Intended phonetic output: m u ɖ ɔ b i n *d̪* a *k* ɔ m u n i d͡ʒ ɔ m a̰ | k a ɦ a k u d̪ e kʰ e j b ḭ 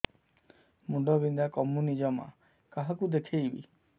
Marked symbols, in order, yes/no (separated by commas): yes, yes